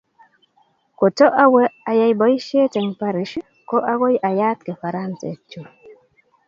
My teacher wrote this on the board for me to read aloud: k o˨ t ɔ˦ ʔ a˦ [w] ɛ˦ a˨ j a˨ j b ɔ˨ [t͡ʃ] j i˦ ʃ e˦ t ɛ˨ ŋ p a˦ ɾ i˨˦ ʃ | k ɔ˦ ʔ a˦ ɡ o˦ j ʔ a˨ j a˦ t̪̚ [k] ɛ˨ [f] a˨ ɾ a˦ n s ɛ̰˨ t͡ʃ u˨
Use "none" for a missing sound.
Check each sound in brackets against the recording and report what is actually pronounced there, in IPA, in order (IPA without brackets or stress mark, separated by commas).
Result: w, none, k, f